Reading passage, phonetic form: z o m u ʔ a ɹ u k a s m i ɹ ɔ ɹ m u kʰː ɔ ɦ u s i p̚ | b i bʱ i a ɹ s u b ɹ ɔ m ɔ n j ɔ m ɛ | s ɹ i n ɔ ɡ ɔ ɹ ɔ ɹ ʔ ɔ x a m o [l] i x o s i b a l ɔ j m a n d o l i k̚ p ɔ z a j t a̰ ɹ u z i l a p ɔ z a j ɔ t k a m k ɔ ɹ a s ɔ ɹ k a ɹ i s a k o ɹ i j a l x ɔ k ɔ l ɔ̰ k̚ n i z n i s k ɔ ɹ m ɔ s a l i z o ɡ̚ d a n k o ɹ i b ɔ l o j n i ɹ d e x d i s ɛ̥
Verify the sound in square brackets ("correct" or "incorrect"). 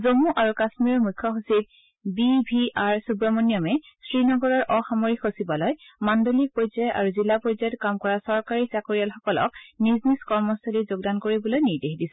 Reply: incorrect